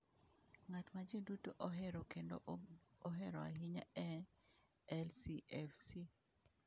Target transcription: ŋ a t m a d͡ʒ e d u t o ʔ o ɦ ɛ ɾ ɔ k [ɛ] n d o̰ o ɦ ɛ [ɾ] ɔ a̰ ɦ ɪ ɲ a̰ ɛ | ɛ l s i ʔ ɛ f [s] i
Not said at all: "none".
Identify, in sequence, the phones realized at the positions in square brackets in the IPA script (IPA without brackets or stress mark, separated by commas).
e, ɾ, s